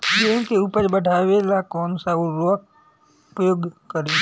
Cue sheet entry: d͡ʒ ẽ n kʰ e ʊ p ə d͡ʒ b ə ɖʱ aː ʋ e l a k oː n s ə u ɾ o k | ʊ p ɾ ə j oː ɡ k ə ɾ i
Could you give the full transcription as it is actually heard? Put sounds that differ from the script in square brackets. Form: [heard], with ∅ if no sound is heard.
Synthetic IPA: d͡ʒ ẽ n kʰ e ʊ p ə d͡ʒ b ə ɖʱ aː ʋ e l a k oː n s [a] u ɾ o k | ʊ p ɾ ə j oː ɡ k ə ɾ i